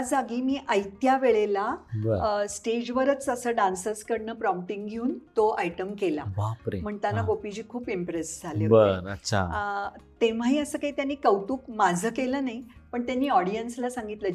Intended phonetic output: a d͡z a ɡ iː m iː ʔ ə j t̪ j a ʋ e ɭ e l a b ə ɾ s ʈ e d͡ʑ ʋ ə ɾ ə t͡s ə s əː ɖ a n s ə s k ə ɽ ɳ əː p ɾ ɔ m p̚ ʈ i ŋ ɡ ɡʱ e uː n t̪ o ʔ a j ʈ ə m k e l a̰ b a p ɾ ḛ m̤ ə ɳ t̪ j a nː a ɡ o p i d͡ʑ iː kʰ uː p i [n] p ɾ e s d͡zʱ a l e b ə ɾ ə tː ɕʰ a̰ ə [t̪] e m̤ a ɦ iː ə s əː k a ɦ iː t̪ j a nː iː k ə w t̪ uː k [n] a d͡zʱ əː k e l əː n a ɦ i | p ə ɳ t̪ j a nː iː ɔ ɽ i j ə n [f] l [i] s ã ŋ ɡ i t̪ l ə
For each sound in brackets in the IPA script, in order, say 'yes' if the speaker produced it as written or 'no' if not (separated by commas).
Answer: no, yes, no, no, no